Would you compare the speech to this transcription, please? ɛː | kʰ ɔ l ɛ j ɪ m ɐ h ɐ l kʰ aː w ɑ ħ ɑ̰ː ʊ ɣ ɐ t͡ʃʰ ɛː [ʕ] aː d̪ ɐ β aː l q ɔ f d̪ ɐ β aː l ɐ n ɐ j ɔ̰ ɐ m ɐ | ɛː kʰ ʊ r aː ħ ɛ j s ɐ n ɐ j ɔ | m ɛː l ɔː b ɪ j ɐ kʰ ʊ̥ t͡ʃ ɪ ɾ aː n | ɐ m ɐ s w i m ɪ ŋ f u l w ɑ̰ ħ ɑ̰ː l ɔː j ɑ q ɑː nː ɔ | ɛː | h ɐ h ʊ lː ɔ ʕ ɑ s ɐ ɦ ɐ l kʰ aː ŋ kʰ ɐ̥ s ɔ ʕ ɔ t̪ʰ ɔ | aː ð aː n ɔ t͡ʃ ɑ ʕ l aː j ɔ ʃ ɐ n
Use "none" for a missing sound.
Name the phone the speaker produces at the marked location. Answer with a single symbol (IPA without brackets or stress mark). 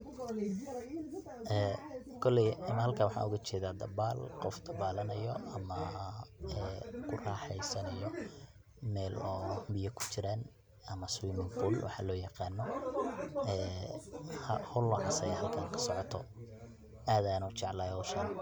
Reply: ð